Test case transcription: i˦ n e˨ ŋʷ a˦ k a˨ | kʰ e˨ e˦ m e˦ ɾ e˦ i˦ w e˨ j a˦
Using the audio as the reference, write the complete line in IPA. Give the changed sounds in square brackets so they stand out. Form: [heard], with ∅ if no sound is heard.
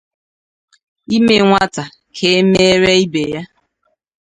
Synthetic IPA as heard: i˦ [m] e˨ ŋʷ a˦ [t] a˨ | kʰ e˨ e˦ m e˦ ɾ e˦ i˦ [b] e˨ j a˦